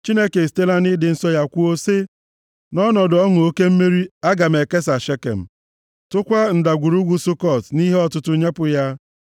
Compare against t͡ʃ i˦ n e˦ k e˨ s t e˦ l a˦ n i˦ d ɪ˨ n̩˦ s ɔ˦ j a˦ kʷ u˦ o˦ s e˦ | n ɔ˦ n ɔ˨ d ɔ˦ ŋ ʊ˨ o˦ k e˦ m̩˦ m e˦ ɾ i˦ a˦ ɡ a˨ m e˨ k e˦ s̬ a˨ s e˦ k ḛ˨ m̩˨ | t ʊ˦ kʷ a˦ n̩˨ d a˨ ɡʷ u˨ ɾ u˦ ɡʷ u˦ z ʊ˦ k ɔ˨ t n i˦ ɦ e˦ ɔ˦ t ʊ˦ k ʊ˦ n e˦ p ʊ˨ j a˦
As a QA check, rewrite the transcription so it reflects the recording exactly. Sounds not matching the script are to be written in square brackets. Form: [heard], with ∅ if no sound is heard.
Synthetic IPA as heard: t͡ʃ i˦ n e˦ k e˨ s t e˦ l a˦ n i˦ d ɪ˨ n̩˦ s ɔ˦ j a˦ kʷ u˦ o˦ s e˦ | n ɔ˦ n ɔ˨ d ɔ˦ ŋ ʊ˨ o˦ k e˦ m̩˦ m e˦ ɾ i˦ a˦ ɡ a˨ m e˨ k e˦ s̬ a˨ [ʃ] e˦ k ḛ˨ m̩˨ | t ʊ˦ kʷ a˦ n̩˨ d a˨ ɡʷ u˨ ɾ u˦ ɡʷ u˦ [s] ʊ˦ k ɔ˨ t n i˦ ɦ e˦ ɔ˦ t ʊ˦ [t] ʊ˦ [ɲ] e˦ p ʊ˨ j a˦